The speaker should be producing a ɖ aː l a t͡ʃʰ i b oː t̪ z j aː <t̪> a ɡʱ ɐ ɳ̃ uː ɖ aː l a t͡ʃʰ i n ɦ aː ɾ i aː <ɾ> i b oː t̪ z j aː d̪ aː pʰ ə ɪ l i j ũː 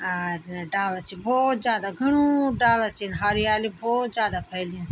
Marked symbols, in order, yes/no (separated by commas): no, no